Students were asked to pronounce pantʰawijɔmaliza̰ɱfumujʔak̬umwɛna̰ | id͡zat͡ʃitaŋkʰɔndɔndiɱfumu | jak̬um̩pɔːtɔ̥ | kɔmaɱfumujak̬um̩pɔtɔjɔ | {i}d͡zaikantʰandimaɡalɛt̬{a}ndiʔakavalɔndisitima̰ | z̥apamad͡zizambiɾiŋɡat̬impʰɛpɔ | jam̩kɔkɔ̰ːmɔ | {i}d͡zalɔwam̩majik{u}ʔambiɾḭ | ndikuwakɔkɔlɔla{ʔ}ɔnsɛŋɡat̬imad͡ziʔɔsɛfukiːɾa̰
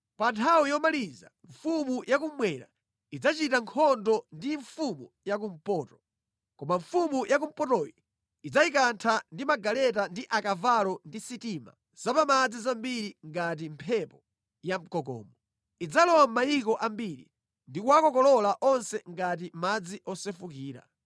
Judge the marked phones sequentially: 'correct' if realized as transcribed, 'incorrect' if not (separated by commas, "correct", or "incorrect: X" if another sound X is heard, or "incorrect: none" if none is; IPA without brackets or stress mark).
correct, correct, correct, incorrect: ɔ, correct